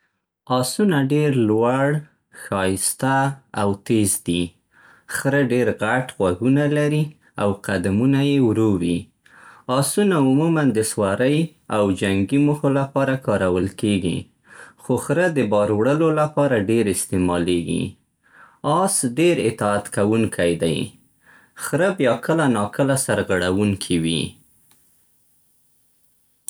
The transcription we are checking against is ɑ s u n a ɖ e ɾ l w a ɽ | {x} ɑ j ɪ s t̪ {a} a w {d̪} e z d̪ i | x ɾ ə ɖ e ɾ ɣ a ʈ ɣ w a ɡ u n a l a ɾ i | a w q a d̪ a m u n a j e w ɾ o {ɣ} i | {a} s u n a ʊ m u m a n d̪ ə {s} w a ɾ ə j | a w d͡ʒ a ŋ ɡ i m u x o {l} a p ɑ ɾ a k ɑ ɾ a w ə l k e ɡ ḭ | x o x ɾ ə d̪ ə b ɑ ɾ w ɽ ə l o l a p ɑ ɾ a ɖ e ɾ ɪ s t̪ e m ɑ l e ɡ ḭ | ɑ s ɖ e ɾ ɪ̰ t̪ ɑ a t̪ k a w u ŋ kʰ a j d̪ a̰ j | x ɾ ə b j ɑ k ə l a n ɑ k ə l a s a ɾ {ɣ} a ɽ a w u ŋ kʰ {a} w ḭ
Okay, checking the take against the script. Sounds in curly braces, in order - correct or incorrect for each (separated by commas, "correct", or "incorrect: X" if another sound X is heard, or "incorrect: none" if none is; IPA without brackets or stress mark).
correct, correct, incorrect: t̪, incorrect: w, incorrect: ɑ, correct, correct, correct, incorrect: i